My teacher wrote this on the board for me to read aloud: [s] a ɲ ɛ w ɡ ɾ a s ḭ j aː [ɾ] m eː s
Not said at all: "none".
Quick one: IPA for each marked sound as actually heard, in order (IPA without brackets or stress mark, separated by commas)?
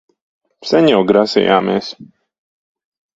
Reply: s, none